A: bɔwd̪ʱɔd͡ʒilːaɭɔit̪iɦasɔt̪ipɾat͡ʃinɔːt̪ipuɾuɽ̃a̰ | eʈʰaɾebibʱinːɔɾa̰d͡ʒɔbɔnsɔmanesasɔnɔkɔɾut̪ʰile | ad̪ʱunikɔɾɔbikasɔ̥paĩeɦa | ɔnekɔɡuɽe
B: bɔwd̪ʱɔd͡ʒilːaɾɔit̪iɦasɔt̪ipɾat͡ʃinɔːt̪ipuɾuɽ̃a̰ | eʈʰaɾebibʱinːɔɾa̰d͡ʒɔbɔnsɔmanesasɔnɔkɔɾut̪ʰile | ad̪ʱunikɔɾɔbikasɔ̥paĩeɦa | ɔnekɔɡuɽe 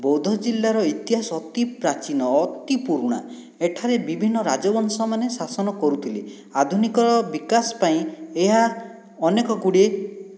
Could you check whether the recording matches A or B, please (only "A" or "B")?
B